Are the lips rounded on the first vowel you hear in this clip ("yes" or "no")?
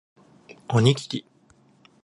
yes